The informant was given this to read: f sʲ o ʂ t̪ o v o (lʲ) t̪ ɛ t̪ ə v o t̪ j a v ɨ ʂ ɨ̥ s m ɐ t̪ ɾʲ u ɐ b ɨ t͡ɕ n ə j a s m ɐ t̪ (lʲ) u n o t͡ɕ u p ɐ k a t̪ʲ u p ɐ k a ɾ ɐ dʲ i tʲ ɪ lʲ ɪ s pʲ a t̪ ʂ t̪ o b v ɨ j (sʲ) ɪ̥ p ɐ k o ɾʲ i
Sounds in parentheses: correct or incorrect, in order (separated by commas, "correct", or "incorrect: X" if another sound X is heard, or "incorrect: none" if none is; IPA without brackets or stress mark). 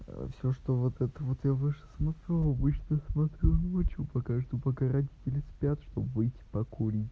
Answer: incorrect: none, incorrect: ɾʲ, incorrect: tʲ